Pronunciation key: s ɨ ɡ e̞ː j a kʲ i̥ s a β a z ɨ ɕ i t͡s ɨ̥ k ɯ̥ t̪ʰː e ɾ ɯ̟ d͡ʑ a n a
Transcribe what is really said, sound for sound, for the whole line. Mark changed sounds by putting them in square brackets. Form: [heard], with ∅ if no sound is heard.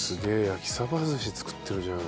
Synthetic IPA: s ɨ ɡ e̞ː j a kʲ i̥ s a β a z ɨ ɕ i t͡s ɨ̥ k ɯ̥ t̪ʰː e ɾ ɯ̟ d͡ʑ a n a